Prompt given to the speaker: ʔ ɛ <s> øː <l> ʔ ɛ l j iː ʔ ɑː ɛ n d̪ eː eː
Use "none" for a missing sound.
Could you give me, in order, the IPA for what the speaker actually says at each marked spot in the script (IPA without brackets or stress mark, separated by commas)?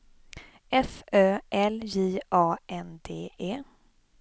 f, none